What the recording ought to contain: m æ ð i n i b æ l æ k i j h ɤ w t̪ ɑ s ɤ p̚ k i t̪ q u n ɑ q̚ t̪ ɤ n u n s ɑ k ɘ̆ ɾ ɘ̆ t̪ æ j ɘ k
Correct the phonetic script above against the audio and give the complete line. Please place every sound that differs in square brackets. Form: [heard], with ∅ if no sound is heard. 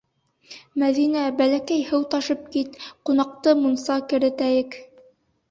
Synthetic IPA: m æ ð i n [æ] b æ l æ k [æ] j h ɤ w t̪ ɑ [ʃ] ɤ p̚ k i t̪ q u n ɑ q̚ t̪ ɤ [m] u n s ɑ k ɘ̆ ɾ ɘ̆ t̪ æ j ɘ k